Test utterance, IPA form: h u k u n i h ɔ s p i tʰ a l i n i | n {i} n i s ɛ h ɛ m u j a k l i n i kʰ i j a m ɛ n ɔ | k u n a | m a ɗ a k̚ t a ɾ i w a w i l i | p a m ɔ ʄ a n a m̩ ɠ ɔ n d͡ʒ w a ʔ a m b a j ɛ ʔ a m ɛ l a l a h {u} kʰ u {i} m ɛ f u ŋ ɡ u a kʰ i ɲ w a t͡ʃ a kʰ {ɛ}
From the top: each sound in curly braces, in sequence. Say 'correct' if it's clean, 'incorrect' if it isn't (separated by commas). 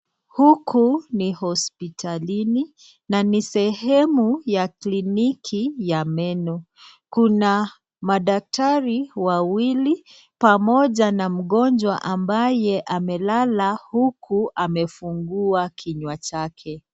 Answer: incorrect, correct, incorrect, correct